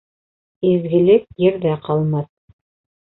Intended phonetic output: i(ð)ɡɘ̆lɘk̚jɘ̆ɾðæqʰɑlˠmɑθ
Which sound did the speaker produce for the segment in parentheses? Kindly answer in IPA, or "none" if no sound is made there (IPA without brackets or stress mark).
z